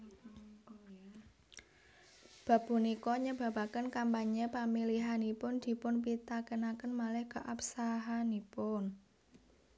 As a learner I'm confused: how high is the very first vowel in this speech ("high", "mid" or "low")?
low